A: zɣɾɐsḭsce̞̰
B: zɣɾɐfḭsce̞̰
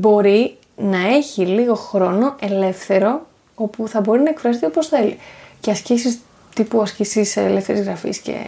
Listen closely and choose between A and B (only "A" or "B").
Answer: B